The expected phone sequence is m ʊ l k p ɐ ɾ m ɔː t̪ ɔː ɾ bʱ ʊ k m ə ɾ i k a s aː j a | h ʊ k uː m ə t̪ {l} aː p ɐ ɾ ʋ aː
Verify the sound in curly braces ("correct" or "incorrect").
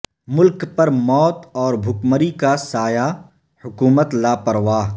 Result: correct